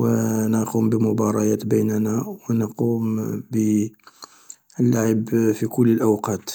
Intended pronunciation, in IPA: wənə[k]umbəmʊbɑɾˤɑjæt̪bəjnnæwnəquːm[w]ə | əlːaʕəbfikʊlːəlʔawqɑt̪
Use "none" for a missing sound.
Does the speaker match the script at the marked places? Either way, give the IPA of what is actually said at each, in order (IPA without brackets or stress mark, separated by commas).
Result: q, b